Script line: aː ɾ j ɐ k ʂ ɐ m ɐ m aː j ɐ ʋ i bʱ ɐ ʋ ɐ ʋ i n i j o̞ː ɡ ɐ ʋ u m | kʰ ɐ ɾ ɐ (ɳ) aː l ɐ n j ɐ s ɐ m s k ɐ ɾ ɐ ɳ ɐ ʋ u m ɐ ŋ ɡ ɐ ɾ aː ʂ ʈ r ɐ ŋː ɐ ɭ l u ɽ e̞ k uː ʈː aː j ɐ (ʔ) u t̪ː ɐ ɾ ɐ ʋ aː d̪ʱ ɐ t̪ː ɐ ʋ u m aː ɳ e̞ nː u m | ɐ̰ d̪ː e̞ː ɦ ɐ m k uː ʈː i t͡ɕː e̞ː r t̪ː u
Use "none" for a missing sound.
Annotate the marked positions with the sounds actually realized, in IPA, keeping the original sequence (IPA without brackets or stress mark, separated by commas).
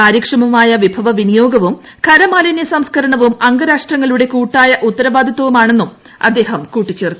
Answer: m, ʔ